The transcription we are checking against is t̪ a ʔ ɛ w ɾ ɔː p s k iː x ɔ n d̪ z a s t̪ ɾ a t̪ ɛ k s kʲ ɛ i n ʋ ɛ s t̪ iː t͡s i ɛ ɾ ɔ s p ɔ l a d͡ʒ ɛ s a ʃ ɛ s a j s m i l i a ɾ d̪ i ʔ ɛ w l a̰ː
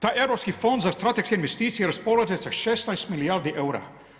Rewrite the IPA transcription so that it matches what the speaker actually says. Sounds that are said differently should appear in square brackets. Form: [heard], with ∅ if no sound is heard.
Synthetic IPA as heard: t̪ a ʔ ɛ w ɾ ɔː p s k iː [f] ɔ n d̪ z a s t̪ ɾ a t̪ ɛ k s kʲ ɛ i n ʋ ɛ s t̪ iː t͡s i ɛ ɾ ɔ s p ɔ l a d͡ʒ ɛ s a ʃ ɛ s a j s m i l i a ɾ d̪ i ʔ ɛ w [ɾ] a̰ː